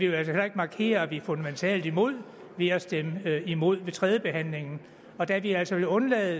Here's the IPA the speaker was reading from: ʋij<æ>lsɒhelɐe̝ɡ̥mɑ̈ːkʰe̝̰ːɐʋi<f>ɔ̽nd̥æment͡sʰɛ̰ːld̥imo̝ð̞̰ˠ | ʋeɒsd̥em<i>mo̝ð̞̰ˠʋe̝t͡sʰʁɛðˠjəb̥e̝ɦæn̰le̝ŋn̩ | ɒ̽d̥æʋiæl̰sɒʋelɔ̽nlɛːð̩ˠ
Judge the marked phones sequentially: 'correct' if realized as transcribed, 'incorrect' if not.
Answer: correct, correct, correct

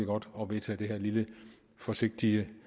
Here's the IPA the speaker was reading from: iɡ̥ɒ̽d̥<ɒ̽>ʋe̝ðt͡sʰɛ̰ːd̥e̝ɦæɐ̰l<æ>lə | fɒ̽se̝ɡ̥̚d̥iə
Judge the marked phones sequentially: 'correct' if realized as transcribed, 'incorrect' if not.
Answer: correct, incorrect: i

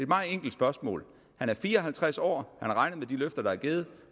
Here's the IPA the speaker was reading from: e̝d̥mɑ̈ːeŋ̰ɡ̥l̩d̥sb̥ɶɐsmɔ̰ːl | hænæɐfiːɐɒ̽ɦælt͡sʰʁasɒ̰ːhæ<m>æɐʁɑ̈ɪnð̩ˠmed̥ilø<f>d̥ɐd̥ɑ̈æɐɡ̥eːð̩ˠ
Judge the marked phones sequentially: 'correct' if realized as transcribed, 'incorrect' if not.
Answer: incorrect: n, correct

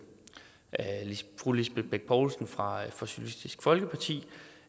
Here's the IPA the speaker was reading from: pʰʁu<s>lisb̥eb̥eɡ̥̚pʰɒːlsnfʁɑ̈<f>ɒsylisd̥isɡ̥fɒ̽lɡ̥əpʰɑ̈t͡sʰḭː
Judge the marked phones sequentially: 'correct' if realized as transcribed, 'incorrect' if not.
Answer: incorrect: none, correct

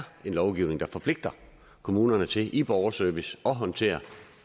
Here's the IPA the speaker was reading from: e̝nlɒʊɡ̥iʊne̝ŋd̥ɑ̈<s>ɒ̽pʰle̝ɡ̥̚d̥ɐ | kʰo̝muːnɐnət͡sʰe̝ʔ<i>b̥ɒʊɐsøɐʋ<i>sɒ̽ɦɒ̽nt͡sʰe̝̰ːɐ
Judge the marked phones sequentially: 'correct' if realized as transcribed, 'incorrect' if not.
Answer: incorrect: f, correct, correct

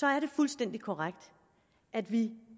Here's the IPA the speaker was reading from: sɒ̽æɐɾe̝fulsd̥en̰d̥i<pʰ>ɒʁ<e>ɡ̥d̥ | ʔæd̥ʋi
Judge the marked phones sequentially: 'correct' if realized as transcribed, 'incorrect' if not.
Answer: incorrect: kʰ, incorrect: a

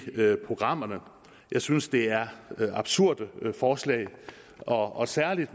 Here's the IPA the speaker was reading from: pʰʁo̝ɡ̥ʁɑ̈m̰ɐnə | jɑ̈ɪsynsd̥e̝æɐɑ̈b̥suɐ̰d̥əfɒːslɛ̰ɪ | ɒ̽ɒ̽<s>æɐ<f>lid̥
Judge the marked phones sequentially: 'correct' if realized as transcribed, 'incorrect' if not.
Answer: correct, incorrect: none

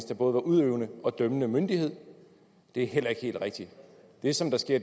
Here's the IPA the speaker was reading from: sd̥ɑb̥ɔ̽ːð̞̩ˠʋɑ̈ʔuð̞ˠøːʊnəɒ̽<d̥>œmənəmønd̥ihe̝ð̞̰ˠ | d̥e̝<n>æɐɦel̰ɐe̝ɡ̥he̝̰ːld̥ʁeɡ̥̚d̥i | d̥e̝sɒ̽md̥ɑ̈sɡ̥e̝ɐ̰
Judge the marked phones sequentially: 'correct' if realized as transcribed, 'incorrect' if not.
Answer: correct, incorrect: none

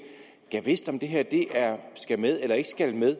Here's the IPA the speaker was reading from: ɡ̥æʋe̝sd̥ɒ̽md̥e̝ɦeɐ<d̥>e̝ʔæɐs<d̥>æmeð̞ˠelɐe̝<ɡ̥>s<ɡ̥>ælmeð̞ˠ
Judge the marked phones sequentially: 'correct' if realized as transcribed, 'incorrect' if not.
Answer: correct, incorrect: ɡ̥, correct, correct

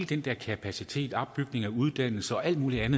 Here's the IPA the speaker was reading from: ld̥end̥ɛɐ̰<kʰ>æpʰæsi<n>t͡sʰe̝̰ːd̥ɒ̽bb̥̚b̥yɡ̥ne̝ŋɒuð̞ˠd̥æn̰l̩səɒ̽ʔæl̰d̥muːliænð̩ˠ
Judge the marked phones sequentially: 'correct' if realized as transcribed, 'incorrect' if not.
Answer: correct, incorrect: none

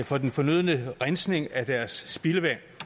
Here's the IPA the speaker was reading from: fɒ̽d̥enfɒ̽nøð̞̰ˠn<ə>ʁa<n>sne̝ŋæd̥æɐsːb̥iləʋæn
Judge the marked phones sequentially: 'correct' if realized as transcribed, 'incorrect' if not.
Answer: correct, correct

